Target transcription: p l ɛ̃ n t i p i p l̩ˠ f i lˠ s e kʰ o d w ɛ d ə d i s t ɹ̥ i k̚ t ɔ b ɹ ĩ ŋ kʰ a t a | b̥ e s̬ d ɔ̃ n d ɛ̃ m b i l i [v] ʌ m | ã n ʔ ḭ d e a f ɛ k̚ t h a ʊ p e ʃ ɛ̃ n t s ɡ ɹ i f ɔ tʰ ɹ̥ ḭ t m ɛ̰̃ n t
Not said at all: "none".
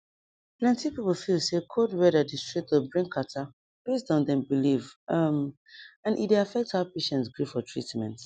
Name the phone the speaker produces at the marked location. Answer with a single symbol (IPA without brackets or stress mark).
v